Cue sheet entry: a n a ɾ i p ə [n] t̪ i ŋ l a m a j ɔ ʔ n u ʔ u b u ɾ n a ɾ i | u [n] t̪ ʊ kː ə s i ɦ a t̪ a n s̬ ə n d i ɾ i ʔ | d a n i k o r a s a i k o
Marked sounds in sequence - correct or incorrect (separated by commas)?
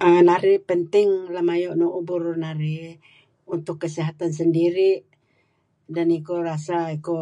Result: correct, correct